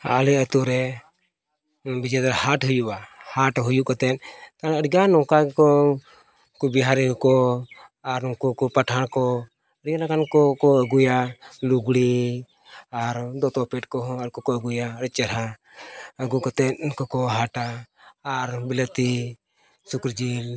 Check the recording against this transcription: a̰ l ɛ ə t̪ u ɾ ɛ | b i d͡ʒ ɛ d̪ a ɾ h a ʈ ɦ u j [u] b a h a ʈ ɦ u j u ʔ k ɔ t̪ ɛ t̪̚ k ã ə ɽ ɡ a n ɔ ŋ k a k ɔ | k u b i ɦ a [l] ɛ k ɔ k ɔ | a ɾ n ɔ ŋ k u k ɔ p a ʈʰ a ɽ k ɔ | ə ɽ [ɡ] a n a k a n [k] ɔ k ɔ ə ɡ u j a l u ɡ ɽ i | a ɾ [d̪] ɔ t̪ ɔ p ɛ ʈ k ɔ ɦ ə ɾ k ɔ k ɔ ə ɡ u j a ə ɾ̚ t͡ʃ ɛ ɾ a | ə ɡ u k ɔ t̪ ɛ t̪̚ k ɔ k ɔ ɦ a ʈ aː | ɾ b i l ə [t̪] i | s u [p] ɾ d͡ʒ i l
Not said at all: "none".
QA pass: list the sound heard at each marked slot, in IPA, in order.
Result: u, ɾ, ɡ, k, d̪, t̪, k

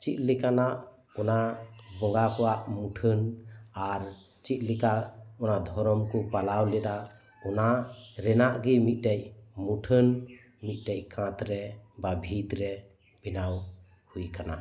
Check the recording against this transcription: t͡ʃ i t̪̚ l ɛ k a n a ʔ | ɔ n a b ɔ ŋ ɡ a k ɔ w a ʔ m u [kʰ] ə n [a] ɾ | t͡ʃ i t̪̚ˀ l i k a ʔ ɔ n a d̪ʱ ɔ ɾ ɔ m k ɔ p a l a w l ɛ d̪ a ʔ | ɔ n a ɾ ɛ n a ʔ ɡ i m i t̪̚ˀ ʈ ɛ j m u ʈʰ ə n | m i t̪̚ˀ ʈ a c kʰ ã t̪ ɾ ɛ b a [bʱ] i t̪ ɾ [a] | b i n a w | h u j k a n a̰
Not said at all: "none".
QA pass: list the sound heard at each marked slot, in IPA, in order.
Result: ʈʰ, a, bʱ, ɛ

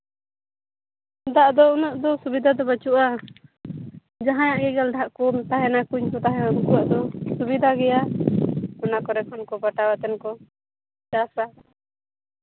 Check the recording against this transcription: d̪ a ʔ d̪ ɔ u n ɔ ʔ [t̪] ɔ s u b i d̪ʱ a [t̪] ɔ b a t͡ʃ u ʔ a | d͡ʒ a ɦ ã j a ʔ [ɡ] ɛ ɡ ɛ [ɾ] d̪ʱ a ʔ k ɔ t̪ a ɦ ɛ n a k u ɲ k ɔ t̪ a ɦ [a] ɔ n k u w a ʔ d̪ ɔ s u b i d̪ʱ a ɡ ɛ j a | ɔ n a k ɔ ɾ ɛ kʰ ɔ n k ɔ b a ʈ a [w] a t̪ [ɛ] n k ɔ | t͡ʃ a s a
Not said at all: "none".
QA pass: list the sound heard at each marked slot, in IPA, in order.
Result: d̪, d̪, ɡ, l, ɛ, w, ɛ

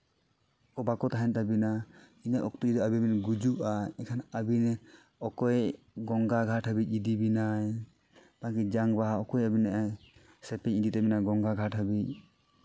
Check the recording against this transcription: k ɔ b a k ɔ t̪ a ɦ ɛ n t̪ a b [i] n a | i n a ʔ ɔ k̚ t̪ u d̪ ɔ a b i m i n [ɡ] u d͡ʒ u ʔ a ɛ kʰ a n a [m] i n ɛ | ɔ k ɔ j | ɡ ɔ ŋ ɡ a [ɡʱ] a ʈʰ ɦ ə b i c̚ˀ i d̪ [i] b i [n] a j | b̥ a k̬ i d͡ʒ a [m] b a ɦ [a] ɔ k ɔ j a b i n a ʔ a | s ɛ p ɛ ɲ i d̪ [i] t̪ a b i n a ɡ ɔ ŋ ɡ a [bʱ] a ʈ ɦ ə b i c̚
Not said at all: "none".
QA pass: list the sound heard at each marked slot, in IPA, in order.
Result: i, ɡ, b, ɡʱ, i, n, ŋ, a, i, ɡʱ

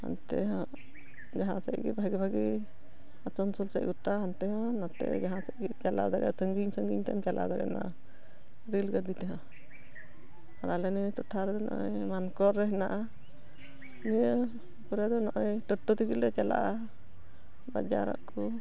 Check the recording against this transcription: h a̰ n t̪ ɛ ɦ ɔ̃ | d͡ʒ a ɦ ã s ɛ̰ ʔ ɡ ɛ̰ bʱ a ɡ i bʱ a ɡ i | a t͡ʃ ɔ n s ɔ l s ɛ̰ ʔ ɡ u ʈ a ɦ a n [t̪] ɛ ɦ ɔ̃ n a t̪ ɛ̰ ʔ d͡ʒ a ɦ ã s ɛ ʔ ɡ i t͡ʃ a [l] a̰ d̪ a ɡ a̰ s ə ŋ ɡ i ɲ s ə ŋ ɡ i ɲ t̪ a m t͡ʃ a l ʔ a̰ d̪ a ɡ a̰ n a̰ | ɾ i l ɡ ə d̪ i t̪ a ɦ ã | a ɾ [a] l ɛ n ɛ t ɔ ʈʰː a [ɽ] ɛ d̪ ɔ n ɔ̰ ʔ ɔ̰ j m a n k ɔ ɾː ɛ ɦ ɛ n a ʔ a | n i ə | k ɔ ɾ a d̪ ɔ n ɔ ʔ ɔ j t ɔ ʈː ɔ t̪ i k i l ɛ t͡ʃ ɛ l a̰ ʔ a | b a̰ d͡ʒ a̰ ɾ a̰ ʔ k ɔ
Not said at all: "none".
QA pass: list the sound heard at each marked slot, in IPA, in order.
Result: t̪, l, a, ɾ

